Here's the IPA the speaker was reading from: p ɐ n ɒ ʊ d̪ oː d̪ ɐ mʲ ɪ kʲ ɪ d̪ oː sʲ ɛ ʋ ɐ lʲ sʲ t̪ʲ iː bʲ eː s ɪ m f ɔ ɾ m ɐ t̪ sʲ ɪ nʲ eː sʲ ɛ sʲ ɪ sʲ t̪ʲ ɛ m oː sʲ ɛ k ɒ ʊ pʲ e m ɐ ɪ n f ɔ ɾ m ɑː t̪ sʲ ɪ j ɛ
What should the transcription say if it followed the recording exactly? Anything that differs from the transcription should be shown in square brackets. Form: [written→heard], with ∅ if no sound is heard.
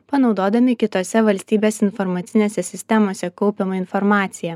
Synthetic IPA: p ɐ n ɒ ʊ d̪ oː d̪ ɐ mʲ ɪ kʲ ɪ [d̪→t̪] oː sʲ ɛ ʋ ɐ lʲ sʲ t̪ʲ iː bʲ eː s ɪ [m→n] f ɔ ɾ m ɐ t̪ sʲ ɪ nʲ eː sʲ ɛ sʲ ɪ sʲ t̪ʲ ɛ m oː sʲ ɛ k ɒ ʊ pʲ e m ɐ ɪ n f ɔ ɾ m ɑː t̪ sʲ ɪ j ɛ

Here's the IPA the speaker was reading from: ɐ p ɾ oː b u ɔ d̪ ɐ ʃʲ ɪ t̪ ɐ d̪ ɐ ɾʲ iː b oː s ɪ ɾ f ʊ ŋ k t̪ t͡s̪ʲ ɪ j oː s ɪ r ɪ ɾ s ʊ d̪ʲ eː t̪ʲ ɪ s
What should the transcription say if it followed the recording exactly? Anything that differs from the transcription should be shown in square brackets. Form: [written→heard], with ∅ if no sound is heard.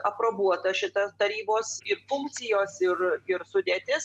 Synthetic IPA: ɐ p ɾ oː b u ɔ [d̪→t̪] ɐ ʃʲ ɪ t̪ ɐ [d̪→t̪] ɐ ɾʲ iː b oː s ɪ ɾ f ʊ ŋ k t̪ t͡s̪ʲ ɪ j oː s ɪ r ɪ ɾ s ʊ d̪ʲ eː t̪ʲ ɪ s

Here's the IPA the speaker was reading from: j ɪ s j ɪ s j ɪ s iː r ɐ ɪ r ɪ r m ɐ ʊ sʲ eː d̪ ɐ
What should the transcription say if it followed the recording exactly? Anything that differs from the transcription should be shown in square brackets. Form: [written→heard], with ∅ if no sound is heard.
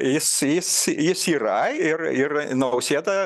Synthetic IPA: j ɪ s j ɪ s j ɪ s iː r ɐ ɪ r ɪ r [m→n] ɐ ʊ sʲ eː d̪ ɐ

